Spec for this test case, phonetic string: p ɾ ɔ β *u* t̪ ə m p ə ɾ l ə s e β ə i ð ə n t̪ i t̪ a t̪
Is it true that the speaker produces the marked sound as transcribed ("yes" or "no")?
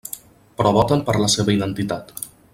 no